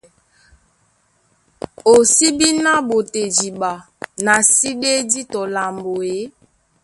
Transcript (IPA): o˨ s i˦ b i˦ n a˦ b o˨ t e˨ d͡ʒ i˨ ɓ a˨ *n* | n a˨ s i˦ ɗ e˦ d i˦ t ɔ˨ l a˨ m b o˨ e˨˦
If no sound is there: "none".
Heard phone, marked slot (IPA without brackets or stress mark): none